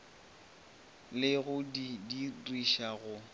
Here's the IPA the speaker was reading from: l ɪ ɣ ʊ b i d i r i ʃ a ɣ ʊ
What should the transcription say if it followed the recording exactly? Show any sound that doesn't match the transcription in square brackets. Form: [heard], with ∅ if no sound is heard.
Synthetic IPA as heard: l ɪ ɣ ʊ [d] i d i r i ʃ a ɣ ʊ